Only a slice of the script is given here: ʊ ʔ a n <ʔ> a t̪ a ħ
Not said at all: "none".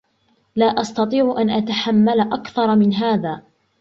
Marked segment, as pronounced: ʔ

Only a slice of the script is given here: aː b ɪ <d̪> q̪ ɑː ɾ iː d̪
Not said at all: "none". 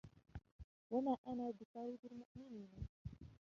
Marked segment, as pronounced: none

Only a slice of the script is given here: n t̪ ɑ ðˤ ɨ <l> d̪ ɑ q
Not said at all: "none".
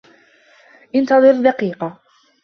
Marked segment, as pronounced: ɾ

